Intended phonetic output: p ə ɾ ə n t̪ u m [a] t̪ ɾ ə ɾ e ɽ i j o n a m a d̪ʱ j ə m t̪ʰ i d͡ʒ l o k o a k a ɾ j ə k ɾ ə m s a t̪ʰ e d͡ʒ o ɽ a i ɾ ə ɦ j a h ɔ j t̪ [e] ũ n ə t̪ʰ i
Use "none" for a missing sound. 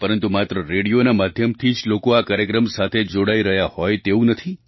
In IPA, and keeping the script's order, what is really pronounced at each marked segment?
a, e

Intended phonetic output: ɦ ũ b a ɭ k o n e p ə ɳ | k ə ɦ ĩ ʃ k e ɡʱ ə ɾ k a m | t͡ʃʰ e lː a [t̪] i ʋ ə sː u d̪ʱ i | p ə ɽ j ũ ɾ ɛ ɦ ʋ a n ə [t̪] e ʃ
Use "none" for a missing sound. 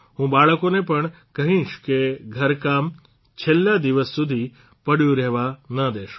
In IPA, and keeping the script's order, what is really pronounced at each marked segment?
d̪, d̪

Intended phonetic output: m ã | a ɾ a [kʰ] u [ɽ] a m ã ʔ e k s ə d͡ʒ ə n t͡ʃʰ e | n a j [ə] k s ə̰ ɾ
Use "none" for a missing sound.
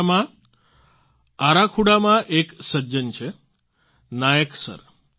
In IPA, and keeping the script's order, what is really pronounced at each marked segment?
kʰ, ɽ, ə

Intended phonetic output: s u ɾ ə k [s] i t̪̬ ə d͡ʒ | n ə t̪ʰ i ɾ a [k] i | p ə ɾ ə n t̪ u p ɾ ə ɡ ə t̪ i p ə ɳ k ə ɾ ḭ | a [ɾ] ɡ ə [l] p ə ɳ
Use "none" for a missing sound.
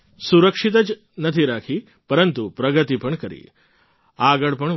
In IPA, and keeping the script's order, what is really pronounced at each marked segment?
ʂ, kʰ, none, ɭ

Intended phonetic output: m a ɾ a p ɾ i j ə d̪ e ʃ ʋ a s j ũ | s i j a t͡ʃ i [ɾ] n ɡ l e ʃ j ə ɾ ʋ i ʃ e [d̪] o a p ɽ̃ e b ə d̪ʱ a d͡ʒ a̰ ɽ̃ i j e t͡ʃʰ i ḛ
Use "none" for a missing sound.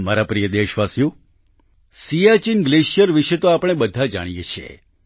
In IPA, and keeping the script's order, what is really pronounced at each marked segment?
none, t̪

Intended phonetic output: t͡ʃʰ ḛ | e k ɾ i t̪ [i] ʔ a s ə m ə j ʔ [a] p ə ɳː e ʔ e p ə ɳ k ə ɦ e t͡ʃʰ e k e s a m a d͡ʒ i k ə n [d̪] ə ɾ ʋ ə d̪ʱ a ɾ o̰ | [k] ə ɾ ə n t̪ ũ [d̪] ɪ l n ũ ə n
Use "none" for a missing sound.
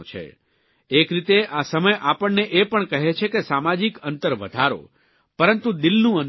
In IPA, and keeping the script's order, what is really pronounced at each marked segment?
e, a, t̪, p, d̪

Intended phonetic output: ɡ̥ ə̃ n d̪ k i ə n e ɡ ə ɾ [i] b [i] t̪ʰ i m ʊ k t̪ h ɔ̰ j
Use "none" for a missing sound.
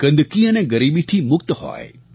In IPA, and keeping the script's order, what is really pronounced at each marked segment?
i, i

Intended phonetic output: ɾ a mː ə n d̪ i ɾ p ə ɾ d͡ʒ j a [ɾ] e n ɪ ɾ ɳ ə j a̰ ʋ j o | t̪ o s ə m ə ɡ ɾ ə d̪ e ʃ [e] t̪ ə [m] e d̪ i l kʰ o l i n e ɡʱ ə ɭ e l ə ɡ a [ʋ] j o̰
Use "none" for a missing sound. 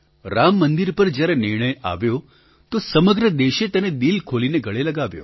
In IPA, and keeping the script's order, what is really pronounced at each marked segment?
ɾ, e, n, ʋ

